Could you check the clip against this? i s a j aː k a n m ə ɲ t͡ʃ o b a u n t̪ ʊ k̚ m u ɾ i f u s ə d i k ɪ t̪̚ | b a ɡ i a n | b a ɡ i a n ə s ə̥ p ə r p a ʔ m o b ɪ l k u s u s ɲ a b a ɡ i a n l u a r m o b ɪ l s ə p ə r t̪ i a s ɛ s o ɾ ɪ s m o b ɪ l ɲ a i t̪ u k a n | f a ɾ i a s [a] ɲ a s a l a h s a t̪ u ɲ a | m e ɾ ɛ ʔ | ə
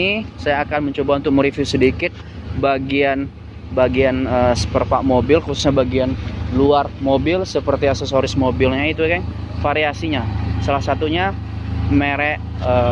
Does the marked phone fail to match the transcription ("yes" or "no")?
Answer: yes